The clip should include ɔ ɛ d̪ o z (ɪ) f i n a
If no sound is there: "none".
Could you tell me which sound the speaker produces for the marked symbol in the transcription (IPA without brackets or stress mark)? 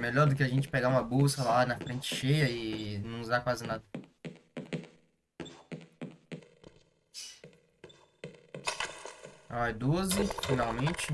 ɪ